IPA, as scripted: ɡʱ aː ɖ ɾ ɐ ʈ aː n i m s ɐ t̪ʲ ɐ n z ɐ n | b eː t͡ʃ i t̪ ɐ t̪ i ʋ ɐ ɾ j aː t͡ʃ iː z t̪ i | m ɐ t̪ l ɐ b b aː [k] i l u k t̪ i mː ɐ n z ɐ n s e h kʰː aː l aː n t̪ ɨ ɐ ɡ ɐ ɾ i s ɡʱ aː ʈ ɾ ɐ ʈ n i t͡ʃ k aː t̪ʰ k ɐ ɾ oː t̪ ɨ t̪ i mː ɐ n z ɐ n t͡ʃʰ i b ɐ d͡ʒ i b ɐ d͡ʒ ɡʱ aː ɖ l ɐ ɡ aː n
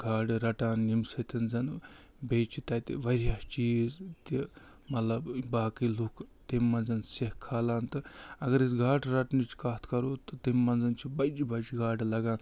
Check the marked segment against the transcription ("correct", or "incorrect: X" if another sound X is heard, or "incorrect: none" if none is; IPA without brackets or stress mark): correct